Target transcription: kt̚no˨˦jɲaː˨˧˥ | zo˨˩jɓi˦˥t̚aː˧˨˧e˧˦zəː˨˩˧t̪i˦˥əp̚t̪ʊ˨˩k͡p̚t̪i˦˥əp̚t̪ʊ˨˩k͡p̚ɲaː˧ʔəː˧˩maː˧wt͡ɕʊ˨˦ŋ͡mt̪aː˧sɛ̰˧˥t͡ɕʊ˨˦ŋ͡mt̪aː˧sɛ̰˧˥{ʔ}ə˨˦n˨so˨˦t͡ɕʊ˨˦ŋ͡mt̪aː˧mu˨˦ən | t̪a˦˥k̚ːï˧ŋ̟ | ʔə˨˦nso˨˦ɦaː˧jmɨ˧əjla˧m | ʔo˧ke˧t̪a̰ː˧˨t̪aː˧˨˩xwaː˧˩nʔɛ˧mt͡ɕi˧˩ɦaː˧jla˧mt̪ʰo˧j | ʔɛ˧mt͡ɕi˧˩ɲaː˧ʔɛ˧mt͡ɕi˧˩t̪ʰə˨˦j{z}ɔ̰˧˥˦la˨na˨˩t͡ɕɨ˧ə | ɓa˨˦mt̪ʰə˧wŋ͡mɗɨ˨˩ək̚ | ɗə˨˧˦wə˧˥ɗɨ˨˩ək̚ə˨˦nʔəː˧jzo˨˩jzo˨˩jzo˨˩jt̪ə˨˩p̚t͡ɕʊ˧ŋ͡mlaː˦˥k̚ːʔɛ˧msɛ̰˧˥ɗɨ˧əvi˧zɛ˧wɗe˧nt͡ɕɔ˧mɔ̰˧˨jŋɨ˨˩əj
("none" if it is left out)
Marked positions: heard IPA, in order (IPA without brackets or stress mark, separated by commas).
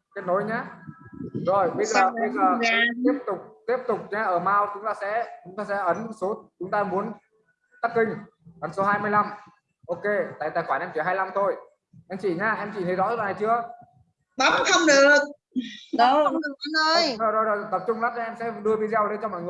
ʔ, z